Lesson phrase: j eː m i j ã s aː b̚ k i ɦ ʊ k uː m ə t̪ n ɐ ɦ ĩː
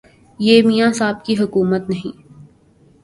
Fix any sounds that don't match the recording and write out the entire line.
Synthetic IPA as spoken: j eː m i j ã s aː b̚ k i ɦ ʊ k uː m ə t̪ n ɐ ɦ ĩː